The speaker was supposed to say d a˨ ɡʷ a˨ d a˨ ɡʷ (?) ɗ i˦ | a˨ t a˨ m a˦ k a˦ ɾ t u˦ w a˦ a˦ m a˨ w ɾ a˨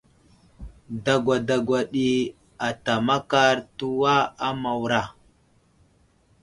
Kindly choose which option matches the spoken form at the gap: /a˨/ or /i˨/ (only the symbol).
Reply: a˨